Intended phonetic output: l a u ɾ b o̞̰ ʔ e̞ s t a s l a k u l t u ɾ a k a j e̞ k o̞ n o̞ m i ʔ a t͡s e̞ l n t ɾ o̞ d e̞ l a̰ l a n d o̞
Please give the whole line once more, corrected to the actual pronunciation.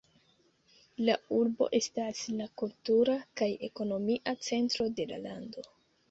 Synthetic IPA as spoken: l a u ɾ b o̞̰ ʔ e̞ s t a s l a k u l t u ɾ a k a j e̞ k o̞ n o̞ m i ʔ a t͡s e̞ n t ɾ o̞ d e̞ l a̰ l a n d o̞